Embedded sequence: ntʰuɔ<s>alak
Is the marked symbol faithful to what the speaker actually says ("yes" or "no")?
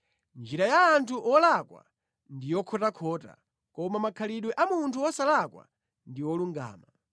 yes